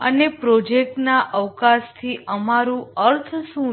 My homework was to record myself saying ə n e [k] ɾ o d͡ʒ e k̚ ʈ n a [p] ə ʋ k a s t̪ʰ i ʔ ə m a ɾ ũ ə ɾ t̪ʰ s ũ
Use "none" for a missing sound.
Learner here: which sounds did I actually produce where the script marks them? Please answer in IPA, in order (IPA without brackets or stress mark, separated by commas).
p, ʔ